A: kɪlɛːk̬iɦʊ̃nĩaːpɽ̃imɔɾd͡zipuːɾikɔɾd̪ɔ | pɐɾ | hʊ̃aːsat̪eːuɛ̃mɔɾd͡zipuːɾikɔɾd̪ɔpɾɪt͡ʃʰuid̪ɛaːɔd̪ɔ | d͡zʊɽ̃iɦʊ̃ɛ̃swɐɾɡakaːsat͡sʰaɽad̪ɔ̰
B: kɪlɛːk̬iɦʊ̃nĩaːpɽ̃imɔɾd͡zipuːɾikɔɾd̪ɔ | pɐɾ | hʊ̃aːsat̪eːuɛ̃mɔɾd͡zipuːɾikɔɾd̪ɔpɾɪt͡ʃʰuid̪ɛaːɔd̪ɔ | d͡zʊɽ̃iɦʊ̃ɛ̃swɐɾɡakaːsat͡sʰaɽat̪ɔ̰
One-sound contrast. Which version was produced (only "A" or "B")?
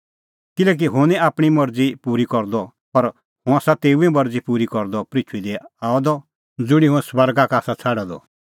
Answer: A